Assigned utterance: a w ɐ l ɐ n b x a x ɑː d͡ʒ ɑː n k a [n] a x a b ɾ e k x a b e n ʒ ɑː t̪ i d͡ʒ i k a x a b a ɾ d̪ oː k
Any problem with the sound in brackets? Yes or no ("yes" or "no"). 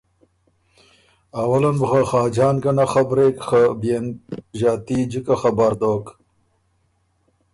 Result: no